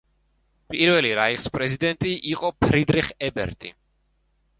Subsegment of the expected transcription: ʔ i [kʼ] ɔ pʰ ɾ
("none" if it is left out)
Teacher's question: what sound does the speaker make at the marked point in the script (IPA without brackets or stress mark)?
qʼ